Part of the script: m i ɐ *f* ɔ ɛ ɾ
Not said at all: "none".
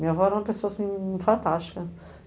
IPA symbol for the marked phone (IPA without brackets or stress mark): v